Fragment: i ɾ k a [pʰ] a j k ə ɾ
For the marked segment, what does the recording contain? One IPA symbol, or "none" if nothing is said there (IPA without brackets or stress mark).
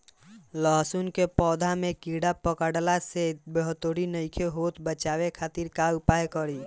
p